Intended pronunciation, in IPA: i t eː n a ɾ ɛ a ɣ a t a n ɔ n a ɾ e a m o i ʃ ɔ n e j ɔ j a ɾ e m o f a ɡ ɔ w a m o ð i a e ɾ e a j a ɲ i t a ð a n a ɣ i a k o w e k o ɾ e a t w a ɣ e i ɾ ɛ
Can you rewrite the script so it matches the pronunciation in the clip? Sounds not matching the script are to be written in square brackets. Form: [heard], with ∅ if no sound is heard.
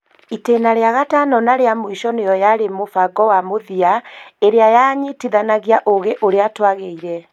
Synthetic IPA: i t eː n a ɾ [e] a ɣ a t a n ɔ n a ɾ e a m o i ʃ ɔ n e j ɔ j a ɾ e m o f a ɡ ɔ w a m o ð i a e ɾ e a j a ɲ i t [i] ð a n a ɣ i a [ʔ] o [ɣ] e [ʔ] o ɾ e a t w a ɣ e i ɾ ɛ